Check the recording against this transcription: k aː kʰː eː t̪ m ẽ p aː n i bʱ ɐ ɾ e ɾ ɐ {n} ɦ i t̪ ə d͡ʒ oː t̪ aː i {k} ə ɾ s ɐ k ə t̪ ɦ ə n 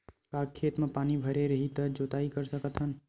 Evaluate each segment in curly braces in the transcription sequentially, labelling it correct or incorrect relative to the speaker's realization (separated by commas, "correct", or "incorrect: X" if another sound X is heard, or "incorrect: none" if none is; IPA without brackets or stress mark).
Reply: incorrect: none, correct